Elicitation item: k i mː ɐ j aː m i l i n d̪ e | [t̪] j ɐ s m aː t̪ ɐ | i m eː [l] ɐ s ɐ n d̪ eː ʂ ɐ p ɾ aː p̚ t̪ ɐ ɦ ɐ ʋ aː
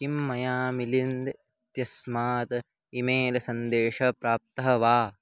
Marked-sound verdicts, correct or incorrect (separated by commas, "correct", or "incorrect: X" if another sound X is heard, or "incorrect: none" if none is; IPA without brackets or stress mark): correct, correct